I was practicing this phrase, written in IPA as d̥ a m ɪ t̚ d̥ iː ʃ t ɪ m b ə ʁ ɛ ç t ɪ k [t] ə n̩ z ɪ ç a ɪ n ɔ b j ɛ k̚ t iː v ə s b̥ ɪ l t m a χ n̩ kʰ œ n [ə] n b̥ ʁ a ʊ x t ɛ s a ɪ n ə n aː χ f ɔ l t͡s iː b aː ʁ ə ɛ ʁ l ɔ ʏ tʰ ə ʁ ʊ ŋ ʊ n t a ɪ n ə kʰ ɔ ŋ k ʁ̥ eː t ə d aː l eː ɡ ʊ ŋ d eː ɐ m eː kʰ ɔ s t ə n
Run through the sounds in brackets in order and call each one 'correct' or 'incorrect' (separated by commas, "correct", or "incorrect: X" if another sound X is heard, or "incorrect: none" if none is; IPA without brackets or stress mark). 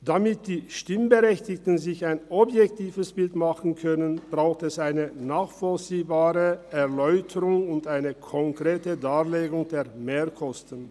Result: correct, correct